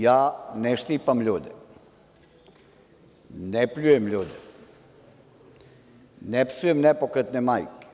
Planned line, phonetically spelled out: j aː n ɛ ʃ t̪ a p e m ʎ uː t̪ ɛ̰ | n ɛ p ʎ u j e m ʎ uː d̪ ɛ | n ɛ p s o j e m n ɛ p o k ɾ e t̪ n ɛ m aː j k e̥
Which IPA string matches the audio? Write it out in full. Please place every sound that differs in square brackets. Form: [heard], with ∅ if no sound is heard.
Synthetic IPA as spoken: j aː n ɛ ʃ t̪ [i] p [a] m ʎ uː [d̪] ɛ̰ | n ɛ p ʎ u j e m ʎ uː d̪ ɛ | n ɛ p s [u] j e m n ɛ p o k ɾ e t̪ n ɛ m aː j k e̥